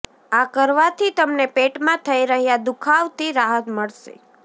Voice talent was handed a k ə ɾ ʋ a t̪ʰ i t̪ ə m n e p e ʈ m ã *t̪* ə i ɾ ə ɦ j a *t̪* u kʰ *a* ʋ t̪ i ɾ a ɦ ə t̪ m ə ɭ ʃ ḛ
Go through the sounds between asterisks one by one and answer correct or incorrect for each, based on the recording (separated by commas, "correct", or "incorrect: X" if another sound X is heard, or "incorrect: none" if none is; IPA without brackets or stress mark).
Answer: incorrect: t̪ʰ, incorrect: d̪, correct